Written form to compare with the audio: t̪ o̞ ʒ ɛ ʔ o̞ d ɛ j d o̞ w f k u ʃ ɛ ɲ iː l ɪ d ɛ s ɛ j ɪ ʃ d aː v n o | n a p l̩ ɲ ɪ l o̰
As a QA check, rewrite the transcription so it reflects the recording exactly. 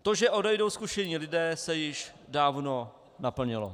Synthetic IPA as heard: t̪ o̞ ʒ ɛ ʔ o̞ d ɛ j d o̞ w s k u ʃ ɛ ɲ iː l ɪ d ɛː s ɛ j ɪ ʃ d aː v n o | n a p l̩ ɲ ɪ l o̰